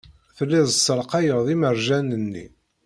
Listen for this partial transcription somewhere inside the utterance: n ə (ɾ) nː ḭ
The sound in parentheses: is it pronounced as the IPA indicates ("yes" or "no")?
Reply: no